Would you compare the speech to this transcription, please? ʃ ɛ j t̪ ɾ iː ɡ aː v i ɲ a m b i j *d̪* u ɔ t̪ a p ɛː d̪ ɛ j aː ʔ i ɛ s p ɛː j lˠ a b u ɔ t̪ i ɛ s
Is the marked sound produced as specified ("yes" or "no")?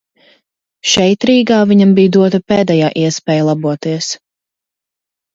yes